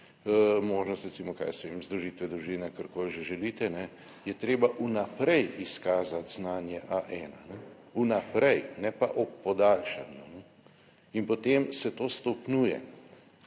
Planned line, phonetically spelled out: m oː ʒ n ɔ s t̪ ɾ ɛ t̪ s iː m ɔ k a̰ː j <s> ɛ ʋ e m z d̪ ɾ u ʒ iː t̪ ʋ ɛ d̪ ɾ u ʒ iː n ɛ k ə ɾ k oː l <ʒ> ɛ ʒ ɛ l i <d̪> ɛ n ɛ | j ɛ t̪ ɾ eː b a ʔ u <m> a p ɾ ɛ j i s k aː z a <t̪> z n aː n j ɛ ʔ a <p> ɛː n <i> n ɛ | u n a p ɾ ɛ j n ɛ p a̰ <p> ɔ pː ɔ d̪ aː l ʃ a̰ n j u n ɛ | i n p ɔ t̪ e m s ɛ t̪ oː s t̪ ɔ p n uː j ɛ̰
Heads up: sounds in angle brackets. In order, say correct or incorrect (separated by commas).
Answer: correct, correct, incorrect, incorrect, correct, incorrect, incorrect, incorrect